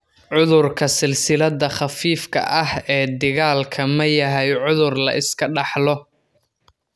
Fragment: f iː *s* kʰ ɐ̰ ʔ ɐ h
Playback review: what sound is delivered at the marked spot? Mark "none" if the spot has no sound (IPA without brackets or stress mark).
f